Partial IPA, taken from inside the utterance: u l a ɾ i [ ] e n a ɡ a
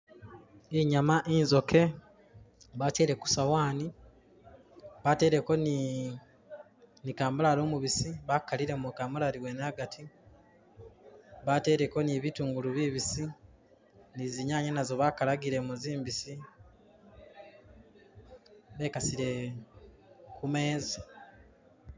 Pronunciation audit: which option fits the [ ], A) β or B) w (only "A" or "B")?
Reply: B